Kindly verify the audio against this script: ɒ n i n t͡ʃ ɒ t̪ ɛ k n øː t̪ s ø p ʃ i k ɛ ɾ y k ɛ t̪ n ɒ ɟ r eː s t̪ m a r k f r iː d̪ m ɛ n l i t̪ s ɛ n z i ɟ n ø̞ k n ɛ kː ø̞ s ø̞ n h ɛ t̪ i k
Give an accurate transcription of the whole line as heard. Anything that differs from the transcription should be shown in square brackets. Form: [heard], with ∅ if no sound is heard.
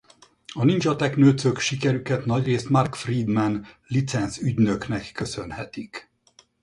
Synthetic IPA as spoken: ɒ n i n t͡ʃ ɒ t̪ ɛ k n øː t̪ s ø [k] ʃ i k ɛ ɾ y k ɛ t̪ n ɒ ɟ r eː s t̪ m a r k f r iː d̪ m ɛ n l i t̪ s ɛ n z [y] ɟ n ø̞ k n ɛ kː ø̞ s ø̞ n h ɛ t̪ i k